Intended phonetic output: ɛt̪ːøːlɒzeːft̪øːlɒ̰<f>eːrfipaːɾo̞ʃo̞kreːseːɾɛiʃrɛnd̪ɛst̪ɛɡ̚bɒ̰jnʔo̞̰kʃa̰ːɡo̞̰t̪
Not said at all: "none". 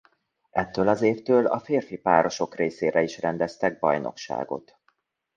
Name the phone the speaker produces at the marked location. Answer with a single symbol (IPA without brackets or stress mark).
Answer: f